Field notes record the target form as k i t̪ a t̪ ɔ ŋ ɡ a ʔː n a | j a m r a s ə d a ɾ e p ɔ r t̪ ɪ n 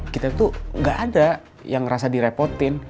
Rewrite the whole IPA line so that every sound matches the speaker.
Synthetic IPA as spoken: k i t̪ a t̪ u ŋ ɡ a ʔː d a | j a ŋ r a s a d i ɾ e p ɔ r t̪ ɪ n